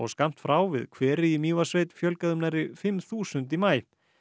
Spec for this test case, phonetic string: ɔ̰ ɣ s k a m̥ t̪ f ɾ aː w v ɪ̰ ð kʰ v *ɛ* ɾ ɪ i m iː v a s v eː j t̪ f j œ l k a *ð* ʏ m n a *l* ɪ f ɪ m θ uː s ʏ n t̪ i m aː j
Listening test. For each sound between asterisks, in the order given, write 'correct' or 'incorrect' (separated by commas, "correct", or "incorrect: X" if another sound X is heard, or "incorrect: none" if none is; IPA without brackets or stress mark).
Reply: incorrect: ɛː, correct, incorrect: ɾ